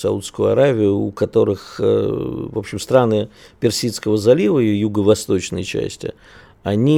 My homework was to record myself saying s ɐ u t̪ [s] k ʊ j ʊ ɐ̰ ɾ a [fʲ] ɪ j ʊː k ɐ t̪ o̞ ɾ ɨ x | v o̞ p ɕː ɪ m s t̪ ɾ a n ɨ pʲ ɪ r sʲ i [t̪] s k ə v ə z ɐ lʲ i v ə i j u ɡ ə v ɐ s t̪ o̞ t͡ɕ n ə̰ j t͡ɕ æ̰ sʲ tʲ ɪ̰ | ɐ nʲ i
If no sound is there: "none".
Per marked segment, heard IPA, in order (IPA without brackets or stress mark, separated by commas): s, vʲ, t̪